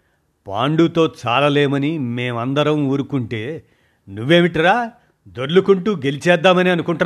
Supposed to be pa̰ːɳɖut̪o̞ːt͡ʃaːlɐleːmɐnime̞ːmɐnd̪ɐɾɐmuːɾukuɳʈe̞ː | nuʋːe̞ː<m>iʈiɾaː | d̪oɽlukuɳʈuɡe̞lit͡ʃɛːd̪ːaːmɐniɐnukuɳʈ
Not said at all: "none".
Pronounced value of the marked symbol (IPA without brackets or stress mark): m